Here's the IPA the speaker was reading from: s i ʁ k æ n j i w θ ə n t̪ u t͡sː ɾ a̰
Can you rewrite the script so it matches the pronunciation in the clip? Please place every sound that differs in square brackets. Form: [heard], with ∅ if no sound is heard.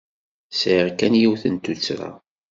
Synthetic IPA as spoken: s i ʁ k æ n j i w θ ə n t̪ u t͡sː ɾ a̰